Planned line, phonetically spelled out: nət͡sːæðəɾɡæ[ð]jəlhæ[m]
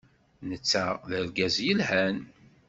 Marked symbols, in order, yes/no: no, no

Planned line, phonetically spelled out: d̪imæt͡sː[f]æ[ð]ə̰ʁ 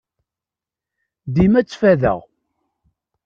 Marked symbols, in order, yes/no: yes, yes

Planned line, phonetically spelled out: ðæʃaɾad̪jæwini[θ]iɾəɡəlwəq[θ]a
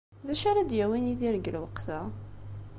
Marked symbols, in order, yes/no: no, yes

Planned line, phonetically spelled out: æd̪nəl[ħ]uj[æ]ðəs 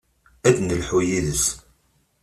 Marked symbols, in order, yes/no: yes, no

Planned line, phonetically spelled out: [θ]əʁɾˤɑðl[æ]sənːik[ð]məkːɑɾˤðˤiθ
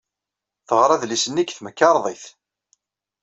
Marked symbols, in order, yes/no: yes, no, no

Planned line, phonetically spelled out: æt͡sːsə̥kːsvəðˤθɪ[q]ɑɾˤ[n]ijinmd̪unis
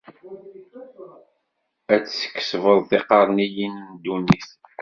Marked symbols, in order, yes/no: yes, yes

